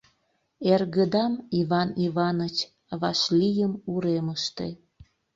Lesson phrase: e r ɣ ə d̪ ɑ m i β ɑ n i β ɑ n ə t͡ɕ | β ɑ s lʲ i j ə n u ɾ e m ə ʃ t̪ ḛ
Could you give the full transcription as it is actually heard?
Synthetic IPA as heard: e r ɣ ə d̪ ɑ m i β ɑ n i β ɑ n ə t͡ɕ | β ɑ ʃ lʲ i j ə m u ɾ e m ə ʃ t̪ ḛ